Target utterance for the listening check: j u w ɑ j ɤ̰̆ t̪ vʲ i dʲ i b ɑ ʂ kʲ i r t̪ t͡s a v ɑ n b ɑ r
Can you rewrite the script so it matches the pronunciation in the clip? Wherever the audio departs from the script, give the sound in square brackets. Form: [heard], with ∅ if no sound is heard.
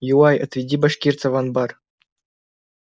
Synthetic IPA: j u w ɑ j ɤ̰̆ t̪ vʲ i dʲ i b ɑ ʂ kʲ i r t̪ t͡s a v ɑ n b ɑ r